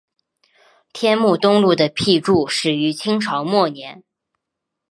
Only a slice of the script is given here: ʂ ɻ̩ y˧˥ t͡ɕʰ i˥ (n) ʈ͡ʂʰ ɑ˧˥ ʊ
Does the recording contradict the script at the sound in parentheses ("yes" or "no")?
yes